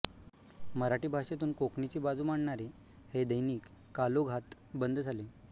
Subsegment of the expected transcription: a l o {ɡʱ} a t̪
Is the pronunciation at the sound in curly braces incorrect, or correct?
correct